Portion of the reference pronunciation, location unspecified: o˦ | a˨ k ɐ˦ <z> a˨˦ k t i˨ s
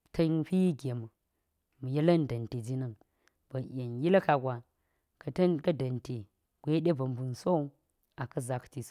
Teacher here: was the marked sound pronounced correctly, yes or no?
yes